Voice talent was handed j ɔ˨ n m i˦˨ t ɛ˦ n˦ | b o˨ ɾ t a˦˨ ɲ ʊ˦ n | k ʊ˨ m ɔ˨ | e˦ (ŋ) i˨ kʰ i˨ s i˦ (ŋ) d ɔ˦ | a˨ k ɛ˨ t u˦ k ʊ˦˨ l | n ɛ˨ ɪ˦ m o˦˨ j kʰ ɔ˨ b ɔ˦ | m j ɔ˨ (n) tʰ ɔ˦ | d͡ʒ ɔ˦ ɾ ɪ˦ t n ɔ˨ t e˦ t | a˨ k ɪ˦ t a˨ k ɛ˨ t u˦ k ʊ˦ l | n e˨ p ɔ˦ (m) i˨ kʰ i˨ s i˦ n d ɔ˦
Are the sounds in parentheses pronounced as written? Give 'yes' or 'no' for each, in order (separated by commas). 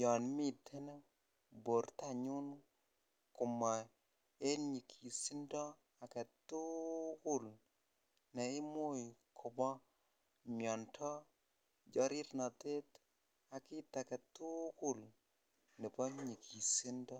no, no, yes, no